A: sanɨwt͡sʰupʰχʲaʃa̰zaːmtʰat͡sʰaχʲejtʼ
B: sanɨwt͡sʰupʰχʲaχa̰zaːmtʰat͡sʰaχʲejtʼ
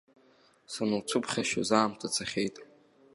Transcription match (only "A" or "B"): A